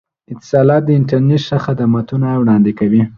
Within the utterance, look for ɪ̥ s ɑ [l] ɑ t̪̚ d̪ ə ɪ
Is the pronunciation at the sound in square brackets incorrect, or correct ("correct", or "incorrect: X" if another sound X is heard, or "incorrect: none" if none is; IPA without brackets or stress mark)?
correct